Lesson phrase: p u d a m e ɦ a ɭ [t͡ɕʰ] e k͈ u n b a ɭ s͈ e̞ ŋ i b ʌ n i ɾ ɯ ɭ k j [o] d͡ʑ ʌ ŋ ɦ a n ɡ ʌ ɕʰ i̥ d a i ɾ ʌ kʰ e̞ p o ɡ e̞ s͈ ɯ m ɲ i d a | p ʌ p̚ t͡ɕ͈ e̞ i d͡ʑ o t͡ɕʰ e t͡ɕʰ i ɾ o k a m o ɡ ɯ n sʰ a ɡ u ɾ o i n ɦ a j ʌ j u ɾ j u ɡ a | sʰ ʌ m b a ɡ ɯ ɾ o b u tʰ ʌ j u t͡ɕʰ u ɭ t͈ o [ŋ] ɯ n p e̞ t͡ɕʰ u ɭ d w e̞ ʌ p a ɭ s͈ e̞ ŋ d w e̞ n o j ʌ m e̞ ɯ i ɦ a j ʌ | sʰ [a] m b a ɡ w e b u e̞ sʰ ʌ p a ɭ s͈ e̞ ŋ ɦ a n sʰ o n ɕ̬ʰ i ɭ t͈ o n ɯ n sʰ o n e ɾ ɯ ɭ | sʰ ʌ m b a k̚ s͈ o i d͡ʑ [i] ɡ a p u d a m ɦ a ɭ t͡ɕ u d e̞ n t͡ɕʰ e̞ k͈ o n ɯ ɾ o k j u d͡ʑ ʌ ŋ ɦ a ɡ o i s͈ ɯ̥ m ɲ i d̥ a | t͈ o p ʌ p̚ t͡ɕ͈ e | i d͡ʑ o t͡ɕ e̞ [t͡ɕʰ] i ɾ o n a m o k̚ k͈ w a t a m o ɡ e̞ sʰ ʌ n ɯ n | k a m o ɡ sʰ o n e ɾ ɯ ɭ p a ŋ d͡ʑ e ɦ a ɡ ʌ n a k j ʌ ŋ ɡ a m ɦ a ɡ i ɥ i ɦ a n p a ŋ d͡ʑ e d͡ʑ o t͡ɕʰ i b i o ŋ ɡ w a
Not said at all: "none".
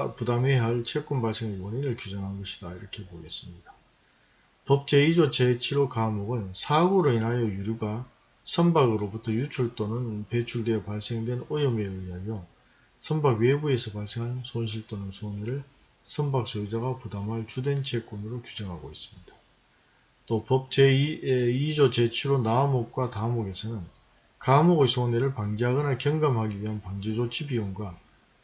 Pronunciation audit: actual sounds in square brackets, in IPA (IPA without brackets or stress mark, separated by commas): t͡ɕʰ, u, n, ʌ, a, t͡ɕʰ